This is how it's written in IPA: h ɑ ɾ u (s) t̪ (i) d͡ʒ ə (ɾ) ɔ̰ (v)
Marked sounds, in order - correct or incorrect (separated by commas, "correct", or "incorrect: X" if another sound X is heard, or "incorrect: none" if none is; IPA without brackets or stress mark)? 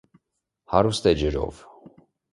correct, incorrect: ɛ, correct, correct